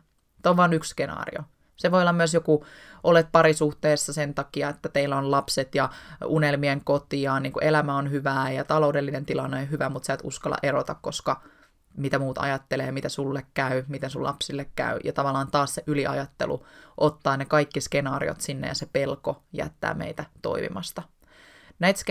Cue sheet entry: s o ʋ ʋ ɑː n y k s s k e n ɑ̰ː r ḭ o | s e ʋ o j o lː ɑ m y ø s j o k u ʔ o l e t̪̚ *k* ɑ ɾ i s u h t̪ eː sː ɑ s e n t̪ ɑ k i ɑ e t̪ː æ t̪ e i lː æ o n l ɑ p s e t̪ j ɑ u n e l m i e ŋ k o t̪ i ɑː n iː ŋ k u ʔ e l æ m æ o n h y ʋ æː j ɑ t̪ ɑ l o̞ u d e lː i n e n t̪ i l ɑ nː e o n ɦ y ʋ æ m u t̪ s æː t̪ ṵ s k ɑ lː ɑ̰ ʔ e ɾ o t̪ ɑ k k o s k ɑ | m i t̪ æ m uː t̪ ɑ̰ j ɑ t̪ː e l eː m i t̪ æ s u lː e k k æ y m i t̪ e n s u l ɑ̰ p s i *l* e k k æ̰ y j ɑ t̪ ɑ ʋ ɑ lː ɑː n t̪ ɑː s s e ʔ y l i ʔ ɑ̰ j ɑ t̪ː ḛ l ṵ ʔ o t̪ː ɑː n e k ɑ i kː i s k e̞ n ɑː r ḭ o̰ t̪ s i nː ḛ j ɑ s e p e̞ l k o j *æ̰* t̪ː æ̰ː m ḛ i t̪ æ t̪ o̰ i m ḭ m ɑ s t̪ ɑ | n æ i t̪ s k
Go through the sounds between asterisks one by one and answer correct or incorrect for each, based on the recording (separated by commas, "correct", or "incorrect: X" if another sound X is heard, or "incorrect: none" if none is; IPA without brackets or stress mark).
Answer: incorrect: p, incorrect: lː, correct